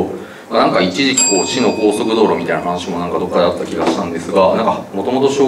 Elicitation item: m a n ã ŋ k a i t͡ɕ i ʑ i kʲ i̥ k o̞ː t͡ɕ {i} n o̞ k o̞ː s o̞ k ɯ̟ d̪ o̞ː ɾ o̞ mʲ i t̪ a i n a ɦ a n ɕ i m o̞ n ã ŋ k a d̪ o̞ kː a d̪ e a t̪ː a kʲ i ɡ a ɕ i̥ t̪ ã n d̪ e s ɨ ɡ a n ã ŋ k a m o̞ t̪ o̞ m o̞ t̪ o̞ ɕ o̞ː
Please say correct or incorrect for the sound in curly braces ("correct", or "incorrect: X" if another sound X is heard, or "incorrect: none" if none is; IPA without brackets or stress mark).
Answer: correct